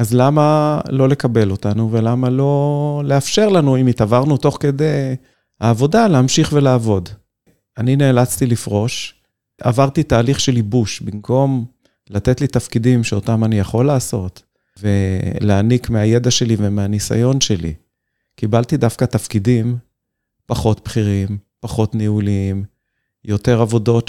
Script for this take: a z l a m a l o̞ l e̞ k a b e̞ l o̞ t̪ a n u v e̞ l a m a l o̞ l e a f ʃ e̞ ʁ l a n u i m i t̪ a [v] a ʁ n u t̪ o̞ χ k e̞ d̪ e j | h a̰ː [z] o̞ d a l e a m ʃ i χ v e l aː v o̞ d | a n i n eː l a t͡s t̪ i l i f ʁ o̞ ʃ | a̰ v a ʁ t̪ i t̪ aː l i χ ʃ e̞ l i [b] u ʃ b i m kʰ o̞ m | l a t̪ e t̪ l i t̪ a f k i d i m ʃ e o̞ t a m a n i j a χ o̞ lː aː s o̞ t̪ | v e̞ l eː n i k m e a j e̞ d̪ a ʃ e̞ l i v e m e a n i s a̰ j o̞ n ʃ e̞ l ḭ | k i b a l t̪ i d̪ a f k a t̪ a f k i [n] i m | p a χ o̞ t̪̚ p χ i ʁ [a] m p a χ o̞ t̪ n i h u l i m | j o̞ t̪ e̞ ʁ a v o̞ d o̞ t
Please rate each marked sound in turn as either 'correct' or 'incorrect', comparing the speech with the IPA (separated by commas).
correct, incorrect, correct, incorrect, incorrect